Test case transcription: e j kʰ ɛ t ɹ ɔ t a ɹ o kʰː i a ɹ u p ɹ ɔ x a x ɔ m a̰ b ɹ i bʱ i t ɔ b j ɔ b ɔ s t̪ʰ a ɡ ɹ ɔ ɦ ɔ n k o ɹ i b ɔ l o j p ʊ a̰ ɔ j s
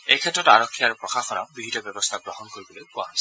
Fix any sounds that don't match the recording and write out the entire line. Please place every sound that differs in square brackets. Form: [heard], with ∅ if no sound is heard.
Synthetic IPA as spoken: e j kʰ ɛ t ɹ ɔ t a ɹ [ɔ] kʰː i a ɹ u p ɹ ɔ x a x ɔ [n] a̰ b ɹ i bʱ i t ɔ b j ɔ b ɔ s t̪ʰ a ɡ ɹ ɔ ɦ ɔ n k o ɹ i b ɔ l o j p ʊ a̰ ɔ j s